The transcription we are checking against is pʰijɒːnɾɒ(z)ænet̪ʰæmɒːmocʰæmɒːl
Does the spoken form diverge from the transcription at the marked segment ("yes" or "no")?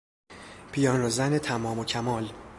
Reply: no